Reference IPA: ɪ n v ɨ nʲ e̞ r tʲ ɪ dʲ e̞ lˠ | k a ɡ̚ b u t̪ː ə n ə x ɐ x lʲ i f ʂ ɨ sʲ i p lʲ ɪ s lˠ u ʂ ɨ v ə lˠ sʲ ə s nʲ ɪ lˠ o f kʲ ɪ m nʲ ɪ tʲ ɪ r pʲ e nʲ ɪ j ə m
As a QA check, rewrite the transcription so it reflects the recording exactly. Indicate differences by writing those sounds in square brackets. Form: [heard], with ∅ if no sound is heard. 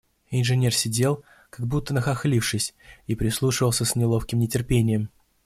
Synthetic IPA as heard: ɪ n [ʐ] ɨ nʲ e̞ r [sʲ] ɪ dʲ e̞ lˠ | k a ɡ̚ b u t̪ː ə n ə x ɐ x lʲ i f ʂ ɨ sʲ i p [ɾʲ] ɪ s lˠ u ʂ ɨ v ə lˠ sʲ ə s nʲ ɪ lˠ o f kʲ ɪ m nʲ ɪ tʲ ɪ r pʲ e nʲ ɪ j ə m